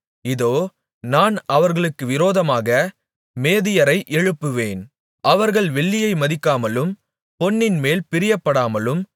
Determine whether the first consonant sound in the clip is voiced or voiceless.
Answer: voiced